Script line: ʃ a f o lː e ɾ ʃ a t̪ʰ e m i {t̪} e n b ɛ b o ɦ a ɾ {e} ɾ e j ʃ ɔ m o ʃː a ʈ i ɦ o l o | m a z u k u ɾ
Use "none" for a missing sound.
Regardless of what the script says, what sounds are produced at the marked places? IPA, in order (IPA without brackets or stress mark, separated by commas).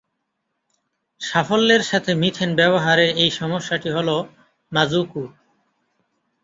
t̪ʰ, e